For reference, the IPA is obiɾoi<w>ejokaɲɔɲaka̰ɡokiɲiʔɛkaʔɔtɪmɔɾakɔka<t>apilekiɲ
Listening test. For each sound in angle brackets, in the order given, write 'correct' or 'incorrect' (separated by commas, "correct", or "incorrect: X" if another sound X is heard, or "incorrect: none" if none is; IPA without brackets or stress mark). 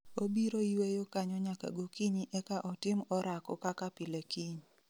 correct, incorrect: k